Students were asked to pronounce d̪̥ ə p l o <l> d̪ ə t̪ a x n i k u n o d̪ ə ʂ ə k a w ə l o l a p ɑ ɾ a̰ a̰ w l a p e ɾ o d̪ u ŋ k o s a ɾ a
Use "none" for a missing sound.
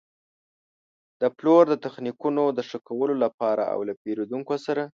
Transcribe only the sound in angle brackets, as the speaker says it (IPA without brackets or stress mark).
ɾ